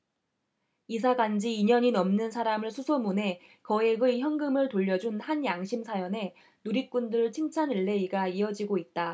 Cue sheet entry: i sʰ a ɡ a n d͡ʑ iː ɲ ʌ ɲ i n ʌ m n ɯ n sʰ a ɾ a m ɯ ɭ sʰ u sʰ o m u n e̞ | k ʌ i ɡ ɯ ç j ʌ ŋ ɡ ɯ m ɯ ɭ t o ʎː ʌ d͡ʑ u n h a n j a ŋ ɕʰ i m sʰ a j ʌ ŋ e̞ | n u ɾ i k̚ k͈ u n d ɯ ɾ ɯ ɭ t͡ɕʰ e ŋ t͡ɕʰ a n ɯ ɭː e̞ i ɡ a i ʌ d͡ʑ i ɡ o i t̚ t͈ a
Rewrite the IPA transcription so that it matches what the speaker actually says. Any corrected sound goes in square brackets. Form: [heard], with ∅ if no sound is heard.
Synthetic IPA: i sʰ a ɡ a n d͡ʑ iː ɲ ʌ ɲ i n ʌ m n ɯ n sʰ a ɾ a m ɯ ɭ sʰ u sʰ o m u n e̞ | k ʌ [e] ɡ ɯ ç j ʌ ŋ ɡ ɯ m ɯ ɭ t o ʎː ʌ d͡ʑ u n h a n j a ŋ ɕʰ i m sʰ a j ʌ [n] e̞ | n u ɾ i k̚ k͈ u n d ɯ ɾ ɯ ɭ t͡ɕʰ [i] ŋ t͡ɕʰ a n ɯ ɭː e̞ i ɡ a i ʌ d͡ʑ i ɡ o i t̚ t͈ a

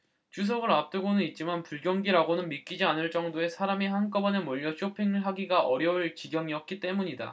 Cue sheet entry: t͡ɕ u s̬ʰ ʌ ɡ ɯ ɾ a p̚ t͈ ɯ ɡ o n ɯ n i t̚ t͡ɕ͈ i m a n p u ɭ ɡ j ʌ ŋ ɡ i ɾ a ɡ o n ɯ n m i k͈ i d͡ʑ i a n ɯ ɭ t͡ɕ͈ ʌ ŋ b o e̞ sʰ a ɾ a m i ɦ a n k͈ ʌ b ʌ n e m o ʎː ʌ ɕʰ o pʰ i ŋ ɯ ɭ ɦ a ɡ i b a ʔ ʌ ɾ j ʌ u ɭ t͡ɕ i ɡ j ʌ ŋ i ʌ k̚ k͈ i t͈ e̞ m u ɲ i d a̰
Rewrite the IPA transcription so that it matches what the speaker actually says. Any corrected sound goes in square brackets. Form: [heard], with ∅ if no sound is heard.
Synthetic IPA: t͡ɕ u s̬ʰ ʌ ɡ ɯ ɾ a p̚ t͈ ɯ ɡ o n ɯ n i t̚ t͡ɕ͈ i m a n p u ɭ ɡ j ʌ ŋ ɡ i ɾ a ɡ o n ɯ n m i k͈ i d͡ʑ i a n ɯ ɭ t͡ɕ͈ ʌ ŋ [d] o e̞ sʰ a ɾ a m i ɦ a n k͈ ʌ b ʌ n e m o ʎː ʌ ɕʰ o pʰ i ŋ ɯ ɭ ɦ a ɡ i [ɡ] a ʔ ʌ ɾ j ʌ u ɭ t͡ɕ i ɡ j ʌ ŋ i ʌ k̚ k͈ i t͈ e̞ m u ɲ i d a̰

